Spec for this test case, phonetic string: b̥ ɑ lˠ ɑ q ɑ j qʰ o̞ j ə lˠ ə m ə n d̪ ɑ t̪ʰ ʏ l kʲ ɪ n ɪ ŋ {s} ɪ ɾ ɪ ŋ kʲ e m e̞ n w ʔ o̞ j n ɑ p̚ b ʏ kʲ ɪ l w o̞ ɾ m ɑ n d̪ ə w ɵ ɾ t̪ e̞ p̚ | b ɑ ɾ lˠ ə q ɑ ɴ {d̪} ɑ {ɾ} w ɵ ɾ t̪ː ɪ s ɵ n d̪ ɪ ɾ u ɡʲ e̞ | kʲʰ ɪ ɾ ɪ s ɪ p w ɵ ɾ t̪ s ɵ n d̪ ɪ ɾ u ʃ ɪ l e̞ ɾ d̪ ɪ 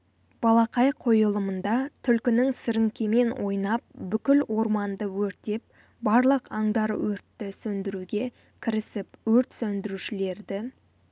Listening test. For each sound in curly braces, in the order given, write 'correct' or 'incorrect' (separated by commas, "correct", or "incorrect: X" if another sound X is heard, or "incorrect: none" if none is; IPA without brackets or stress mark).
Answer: correct, correct, correct